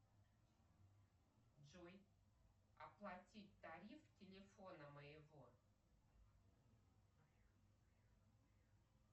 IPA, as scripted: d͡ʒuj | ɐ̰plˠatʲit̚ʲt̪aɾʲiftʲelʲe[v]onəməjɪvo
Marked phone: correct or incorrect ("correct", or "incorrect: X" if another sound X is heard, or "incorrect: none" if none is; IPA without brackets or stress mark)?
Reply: incorrect: f